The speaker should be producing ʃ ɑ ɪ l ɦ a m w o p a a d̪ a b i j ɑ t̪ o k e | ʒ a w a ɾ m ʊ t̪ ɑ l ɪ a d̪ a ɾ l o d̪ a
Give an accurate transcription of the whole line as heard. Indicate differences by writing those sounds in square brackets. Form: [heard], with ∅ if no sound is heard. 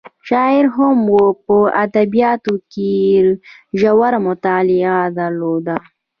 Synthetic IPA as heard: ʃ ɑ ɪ [ɾ] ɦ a m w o p [ə] a d̪ a b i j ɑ t̪ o k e | ʒ a w a ɾ m ʊ t̪ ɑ l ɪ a d̪ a ɾ l o d̪ a